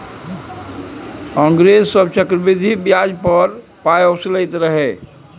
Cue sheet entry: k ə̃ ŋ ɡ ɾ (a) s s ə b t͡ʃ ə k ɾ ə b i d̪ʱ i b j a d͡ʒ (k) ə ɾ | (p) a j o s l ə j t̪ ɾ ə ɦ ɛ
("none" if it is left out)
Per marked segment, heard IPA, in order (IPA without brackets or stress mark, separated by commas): e, p, p